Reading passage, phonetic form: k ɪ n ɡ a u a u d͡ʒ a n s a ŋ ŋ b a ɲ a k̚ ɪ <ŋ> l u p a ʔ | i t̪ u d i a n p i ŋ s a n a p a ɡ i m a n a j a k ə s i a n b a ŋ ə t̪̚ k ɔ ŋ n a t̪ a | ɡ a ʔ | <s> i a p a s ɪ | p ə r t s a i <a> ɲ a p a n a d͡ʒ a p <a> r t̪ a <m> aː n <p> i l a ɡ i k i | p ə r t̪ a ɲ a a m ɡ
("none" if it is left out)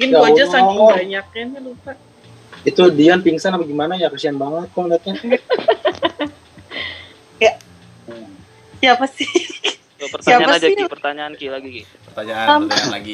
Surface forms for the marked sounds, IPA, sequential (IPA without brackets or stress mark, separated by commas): n, s, a, ə, ɲ, k